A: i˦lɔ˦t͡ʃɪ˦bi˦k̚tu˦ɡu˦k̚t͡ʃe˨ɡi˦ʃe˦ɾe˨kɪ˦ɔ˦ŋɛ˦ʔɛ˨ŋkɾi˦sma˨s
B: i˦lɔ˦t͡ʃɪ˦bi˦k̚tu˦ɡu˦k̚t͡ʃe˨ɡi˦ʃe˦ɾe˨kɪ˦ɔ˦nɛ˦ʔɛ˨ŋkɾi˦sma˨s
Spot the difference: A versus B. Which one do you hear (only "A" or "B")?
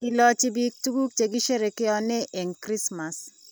B